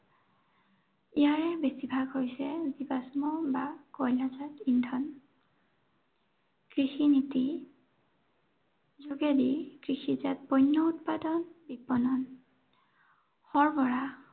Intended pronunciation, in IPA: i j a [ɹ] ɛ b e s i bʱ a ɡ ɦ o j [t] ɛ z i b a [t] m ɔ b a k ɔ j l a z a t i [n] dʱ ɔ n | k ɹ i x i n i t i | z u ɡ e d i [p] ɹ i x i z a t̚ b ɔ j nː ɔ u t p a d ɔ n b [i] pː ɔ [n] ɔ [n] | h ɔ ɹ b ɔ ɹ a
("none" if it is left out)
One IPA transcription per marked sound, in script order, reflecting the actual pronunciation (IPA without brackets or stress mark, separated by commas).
ɹ, s, s, n, k, i, n, n